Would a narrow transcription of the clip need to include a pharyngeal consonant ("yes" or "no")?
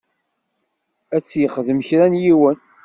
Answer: no